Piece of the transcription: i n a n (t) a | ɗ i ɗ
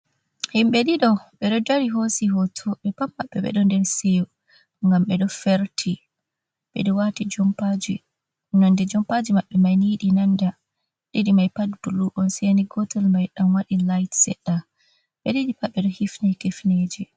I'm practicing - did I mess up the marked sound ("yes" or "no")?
yes